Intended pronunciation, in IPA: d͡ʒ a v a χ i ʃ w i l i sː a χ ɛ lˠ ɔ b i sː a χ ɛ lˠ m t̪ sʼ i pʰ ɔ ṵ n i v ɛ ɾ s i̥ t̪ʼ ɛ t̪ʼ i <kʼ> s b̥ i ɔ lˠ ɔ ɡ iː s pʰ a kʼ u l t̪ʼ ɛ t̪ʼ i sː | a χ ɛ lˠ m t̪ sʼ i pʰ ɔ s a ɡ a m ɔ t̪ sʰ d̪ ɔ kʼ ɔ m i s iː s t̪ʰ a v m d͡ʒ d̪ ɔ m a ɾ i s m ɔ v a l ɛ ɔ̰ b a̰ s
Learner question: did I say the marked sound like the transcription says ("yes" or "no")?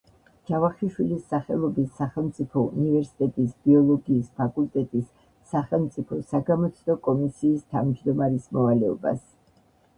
no